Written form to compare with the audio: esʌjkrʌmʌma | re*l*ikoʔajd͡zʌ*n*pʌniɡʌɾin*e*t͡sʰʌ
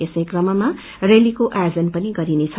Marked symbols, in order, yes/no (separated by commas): yes, yes, yes